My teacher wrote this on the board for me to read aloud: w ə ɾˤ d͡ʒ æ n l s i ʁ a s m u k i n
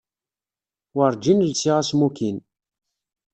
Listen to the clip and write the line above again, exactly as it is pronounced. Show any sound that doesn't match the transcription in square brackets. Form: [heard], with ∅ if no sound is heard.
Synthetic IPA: w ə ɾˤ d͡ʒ [i] n l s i ʁ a s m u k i n